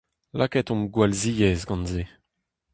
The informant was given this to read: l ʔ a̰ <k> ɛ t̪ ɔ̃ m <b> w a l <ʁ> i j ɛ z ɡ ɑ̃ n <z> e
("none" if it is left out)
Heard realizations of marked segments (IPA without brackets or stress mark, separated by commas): k, ɡ, z, z